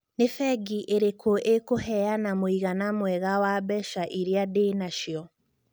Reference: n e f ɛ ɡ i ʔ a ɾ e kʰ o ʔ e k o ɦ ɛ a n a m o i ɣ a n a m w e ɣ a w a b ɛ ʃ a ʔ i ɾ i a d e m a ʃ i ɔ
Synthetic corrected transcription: n e f ɛ ɡ i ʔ e ɾ e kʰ o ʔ e k o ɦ ɛ a n a m o i ɣ a n a m w ɛ ɣ a w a b ɛ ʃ a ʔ i ɾ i a d e n a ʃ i ɔ